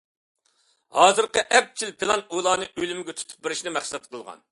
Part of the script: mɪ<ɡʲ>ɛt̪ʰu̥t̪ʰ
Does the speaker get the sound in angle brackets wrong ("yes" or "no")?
no